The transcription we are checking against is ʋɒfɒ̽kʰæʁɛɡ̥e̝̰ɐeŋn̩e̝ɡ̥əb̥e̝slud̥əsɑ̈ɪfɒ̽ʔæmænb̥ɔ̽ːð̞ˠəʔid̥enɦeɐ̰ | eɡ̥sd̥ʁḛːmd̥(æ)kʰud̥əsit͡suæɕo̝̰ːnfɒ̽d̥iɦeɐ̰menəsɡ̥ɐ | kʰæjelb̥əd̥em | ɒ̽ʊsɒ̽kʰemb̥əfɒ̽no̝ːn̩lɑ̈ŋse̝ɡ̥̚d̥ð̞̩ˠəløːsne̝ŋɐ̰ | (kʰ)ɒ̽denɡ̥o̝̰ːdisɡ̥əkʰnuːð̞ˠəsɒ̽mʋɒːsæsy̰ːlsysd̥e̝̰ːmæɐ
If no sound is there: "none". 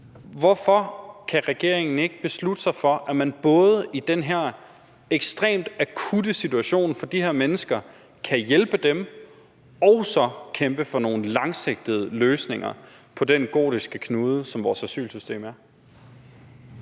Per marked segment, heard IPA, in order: æ, pʰ

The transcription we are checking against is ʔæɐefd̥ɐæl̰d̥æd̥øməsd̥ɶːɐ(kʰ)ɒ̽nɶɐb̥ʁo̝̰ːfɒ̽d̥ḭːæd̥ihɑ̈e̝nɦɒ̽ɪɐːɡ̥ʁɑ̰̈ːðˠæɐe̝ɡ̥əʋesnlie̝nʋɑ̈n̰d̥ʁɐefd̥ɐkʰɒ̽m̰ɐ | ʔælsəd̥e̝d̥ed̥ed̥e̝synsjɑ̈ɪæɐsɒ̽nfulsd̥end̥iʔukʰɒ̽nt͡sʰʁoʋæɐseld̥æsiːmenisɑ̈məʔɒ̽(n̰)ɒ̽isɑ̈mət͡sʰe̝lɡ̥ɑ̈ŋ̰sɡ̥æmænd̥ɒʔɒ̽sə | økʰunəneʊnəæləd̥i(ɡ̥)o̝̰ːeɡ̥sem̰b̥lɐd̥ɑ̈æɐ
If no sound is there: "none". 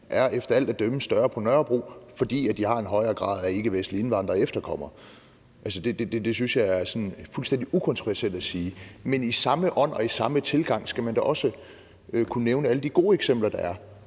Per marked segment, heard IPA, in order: pʰ, n̰, ɡ̥

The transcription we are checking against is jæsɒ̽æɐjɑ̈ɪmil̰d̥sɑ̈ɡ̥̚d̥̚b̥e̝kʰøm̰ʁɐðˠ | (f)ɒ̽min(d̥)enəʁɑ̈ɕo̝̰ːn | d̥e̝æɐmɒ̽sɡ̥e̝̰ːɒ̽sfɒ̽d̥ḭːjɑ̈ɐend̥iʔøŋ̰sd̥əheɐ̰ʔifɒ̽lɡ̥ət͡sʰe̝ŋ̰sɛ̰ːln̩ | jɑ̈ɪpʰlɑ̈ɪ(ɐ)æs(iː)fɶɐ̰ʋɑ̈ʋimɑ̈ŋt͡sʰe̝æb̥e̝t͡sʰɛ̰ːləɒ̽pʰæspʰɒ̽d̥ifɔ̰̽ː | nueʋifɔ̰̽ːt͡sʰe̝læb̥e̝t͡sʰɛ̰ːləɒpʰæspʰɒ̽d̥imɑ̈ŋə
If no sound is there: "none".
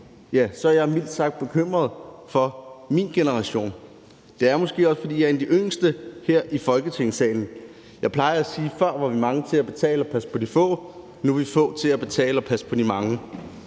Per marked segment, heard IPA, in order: f, ɡ̥, ɐ, iː

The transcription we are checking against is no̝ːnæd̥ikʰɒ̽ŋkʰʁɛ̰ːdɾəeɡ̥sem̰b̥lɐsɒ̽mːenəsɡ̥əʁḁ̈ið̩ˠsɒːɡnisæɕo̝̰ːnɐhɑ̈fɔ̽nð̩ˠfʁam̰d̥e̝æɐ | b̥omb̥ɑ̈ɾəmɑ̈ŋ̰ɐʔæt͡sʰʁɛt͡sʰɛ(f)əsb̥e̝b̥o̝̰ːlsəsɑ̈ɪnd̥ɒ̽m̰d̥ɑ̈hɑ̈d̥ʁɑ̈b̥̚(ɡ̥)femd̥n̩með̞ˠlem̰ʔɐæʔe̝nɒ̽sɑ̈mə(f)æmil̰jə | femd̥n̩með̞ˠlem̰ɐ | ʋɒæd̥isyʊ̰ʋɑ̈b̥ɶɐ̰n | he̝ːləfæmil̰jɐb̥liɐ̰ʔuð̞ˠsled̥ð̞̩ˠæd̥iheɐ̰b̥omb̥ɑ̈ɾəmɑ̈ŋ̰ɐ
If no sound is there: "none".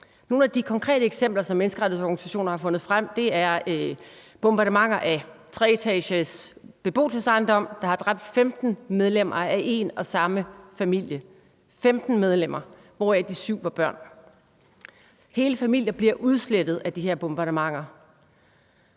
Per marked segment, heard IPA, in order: ɕ, d̥, f

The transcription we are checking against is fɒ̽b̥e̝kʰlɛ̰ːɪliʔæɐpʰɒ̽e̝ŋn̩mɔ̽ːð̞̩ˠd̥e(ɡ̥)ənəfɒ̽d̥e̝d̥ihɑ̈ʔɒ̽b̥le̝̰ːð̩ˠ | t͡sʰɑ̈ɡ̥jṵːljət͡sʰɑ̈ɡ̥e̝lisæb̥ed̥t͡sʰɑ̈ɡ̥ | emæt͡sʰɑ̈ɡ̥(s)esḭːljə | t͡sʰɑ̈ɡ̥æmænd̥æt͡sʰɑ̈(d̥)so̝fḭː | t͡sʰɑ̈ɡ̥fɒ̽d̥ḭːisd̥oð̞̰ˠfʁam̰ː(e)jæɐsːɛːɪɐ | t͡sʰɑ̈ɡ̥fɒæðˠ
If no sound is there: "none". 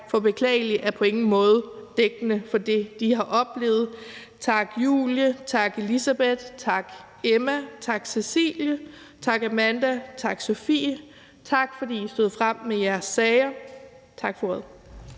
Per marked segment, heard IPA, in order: ɡ̥, s, ɡ̥, e

